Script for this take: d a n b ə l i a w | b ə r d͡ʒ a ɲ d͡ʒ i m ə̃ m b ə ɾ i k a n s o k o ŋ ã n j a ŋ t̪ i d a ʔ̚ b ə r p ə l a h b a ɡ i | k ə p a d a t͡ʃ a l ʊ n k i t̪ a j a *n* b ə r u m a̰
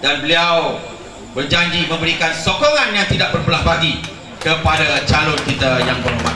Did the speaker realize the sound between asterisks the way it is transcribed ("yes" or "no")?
no